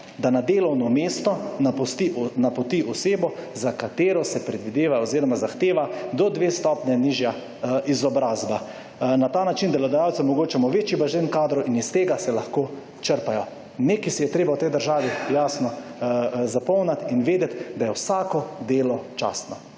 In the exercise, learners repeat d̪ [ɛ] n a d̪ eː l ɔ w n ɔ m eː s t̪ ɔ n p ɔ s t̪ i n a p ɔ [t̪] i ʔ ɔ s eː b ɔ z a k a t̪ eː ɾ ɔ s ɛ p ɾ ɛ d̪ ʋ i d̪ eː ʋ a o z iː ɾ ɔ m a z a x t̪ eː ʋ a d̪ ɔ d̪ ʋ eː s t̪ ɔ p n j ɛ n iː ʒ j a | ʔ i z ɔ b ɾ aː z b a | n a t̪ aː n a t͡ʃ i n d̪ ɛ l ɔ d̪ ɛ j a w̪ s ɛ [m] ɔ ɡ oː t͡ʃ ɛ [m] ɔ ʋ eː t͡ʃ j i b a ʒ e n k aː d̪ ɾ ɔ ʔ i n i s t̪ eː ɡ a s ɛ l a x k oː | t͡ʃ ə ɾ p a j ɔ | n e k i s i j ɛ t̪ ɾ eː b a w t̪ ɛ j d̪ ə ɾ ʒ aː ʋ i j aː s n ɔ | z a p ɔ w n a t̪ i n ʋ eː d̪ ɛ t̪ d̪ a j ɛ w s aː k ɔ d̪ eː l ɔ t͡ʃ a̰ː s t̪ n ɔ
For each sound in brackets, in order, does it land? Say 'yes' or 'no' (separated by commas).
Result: no, yes, yes, yes